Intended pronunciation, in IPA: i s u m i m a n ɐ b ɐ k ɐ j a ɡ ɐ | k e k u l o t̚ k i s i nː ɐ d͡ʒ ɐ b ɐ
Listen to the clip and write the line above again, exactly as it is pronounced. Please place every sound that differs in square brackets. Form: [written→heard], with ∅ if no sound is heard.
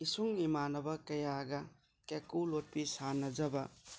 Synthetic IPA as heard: i s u [m→ŋ] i m a n ɐ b ɐ k ɐ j a ɡ ɐ | k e k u l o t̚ [k→p] i s [i→a] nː ɐ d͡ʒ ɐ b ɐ